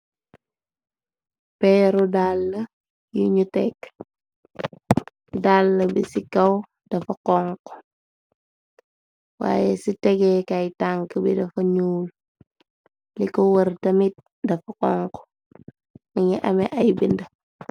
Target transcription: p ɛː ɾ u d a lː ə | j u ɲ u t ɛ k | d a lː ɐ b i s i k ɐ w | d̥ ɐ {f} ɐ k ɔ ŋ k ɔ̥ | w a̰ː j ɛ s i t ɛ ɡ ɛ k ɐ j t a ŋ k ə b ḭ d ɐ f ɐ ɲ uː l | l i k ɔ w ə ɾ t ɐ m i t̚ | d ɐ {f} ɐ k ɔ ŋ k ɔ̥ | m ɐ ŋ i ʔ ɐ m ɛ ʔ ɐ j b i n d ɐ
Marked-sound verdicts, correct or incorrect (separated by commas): correct, correct